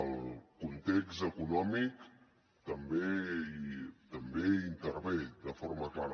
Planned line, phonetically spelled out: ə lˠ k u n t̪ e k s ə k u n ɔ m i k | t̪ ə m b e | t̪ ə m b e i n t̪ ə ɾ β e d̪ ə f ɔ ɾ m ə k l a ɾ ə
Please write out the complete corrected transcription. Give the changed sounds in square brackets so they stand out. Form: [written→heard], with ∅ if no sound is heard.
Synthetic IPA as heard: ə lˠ k u n t̪ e k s ə k u n ɔ m i k | t̪ ə m b e | t̪ ə m b e i n t̪ ə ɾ β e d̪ ə f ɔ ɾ m ə k l a ɾ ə